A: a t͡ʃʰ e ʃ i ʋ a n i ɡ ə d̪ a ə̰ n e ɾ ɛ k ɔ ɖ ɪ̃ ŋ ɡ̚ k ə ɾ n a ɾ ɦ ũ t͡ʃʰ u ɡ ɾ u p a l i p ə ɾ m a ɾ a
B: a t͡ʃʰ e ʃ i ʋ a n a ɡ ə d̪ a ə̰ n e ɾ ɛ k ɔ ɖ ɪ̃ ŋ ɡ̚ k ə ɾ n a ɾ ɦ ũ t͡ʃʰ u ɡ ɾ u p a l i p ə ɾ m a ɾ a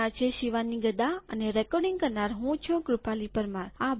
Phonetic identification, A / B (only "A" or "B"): A